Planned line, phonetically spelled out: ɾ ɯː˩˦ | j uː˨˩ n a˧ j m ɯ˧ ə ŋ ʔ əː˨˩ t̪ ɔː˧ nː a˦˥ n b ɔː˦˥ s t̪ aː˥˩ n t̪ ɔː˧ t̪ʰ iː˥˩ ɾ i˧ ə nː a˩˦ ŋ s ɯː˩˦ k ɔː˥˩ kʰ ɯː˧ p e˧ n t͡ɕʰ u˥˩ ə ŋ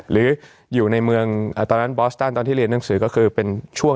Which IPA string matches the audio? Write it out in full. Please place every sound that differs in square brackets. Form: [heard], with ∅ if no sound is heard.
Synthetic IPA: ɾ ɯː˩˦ | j uː˨˩ n a˧ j m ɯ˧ ə ŋ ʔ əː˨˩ t̪ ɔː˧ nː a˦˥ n b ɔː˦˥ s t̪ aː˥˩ n t̪ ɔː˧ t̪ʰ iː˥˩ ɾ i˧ ə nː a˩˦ ŋ s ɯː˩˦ k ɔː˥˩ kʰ ɯː˧ p e˧ n t͡ɕʰ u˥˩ ə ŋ